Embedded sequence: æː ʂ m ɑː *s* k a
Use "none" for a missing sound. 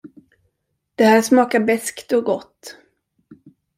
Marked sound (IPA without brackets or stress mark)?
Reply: none